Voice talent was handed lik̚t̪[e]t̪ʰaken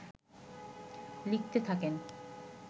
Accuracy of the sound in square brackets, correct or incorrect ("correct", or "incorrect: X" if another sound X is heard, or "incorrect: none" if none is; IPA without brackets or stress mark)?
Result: correct